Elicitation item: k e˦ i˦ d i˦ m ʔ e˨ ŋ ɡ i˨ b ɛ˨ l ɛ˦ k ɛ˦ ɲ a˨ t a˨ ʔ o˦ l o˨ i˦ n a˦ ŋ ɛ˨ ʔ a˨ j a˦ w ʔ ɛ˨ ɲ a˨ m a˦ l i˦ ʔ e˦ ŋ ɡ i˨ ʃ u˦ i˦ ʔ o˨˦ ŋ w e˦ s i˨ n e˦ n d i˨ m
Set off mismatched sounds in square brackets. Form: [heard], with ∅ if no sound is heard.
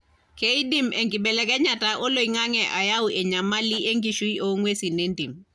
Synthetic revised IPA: k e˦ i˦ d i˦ m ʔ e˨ ŋ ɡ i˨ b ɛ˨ l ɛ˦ k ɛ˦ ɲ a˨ t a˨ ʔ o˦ l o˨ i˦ [ŋ] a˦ ŋ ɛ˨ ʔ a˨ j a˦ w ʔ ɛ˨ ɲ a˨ m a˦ l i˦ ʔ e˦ ŋ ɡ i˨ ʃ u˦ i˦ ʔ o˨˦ ŋ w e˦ s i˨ n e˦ n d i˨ m

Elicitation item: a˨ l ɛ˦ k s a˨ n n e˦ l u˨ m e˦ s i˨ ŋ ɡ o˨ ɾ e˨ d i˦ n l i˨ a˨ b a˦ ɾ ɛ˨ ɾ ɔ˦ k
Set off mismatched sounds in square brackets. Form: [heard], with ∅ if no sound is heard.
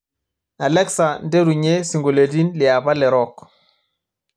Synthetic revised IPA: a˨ l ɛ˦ k s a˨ n [d] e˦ [ɾ] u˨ [ɲ] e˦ s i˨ ŋ ɡ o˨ [l] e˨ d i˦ n l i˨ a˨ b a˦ [l] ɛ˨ ɾ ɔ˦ k

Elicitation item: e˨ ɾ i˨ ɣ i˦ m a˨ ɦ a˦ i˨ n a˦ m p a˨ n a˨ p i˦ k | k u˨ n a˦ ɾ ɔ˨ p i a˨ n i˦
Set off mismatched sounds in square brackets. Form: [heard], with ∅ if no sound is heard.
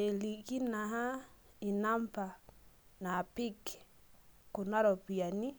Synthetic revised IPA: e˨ [l] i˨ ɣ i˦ [n] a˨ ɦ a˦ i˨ n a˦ m p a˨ n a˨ p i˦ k | k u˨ n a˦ ɾ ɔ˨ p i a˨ n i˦

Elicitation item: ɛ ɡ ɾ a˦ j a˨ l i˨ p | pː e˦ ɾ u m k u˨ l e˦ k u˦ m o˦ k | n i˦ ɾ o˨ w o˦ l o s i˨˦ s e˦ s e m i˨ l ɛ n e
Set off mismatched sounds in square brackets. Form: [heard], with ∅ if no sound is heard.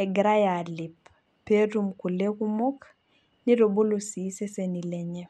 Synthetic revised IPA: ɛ ɡ ɾ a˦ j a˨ l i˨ p | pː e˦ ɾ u m k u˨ l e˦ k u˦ m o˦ k | n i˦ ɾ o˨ [b] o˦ l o s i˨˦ s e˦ s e [n] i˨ l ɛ [ɲ] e

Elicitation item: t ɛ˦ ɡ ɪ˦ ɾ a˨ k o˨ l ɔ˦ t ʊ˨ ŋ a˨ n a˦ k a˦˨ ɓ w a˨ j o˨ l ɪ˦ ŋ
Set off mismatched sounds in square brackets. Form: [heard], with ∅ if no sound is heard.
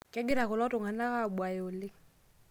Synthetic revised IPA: [k] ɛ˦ ɡ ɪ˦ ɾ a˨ k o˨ l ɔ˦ t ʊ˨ ŋ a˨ n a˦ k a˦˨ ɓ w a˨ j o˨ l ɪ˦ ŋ

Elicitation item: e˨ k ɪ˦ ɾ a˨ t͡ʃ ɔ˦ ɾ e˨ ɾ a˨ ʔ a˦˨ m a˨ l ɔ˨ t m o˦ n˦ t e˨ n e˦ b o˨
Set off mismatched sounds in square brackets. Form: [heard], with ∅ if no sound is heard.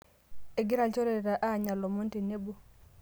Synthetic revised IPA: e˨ [ɡ] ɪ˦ ɾ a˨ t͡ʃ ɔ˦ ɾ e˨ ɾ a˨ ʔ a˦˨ [ɲ] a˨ l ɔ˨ [∅] m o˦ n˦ t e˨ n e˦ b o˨

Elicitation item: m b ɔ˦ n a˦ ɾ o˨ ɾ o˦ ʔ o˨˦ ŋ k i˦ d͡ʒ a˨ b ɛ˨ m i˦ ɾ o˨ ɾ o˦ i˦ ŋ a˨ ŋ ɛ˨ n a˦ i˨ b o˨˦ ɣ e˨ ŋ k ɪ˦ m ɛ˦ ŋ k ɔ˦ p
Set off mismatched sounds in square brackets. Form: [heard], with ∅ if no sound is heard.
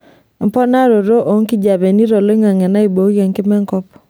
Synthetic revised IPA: m [p] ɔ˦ n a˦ ɾ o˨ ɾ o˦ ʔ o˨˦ ŋ k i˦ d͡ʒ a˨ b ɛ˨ [n] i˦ ɾ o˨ [l] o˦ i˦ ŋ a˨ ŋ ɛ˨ n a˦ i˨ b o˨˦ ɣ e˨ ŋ k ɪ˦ m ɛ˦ ŋ k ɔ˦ p

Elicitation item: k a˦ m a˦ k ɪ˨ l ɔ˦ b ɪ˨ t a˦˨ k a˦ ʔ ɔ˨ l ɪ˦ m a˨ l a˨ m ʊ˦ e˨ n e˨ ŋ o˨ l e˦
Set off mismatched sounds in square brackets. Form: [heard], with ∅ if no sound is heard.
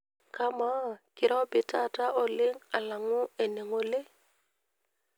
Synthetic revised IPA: k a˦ m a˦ k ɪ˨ [ɾ] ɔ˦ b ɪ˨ t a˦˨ [t] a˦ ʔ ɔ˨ l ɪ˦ [ŋ] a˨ l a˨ [ŋ] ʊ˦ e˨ n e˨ ŋ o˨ l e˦

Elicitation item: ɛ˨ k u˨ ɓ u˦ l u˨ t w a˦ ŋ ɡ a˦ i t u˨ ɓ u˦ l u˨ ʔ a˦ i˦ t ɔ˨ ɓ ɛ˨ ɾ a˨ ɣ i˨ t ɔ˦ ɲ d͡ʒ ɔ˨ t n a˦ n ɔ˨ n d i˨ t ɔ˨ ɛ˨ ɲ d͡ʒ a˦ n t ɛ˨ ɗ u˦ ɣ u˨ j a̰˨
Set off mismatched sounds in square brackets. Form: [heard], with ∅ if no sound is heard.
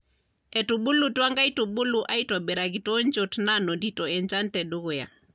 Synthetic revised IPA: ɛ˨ [t] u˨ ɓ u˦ l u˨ t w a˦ ŋ ɡ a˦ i t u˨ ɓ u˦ l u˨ ʔ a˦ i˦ t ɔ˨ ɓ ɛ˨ ɾ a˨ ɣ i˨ t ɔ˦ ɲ d͡ʒ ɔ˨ t n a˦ n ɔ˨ n d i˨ t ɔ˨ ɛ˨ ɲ d͡ʒ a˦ n t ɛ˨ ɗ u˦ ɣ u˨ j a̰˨

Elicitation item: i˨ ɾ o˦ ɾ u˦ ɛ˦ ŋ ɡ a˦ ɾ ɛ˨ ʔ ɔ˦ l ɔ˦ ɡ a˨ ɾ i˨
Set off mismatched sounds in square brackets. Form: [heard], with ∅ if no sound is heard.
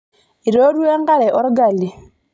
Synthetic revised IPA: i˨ ɾ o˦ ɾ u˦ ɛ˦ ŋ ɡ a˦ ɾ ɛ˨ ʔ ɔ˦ [ɾ] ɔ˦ ɡ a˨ [l] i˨

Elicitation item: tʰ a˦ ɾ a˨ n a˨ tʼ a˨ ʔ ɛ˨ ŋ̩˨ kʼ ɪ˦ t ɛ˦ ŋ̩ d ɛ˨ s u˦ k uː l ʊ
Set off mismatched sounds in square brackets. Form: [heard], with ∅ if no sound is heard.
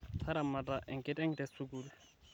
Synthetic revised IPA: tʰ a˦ ɾ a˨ [m] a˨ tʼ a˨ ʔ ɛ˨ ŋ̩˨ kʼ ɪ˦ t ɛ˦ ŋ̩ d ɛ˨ s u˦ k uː l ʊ

